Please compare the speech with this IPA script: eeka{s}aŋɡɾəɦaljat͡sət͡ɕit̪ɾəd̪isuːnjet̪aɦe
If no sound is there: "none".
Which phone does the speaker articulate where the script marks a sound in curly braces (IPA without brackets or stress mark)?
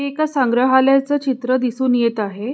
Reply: s